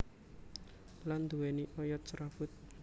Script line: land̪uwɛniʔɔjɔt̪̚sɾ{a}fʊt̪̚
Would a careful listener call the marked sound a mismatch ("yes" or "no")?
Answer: no